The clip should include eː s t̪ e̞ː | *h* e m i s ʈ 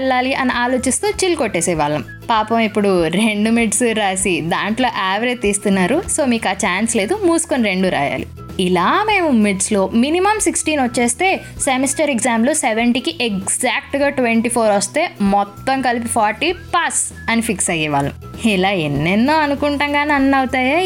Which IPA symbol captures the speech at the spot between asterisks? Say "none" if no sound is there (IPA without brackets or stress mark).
s